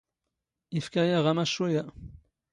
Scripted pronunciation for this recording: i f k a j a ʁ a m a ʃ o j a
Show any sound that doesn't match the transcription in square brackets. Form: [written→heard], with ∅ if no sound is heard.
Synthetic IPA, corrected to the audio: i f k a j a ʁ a m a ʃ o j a

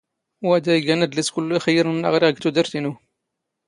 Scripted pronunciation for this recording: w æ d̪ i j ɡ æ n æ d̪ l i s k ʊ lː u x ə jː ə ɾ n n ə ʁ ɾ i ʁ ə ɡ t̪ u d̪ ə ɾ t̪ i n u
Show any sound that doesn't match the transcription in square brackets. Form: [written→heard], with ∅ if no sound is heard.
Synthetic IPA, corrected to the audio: w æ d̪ [i→æ] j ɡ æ n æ d̪ l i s k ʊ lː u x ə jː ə ɾ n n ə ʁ ɾ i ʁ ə ɡ t̪ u d̪ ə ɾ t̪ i n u

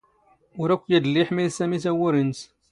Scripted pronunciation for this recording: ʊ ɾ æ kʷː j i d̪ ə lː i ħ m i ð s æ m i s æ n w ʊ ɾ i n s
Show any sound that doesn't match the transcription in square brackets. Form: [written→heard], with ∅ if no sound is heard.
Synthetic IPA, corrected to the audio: ʊ ɾ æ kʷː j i d̪ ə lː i ħ m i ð s æ m i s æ [n→∅] w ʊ ɾ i n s

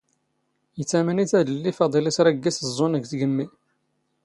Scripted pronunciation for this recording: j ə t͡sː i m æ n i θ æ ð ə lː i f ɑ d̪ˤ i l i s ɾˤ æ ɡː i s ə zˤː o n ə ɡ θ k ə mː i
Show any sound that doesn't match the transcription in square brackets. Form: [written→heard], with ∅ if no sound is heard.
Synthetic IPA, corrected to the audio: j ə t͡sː [i→æ] m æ n i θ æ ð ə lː i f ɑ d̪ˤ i l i s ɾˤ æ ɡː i s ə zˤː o n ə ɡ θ [k→ɡ] ə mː i

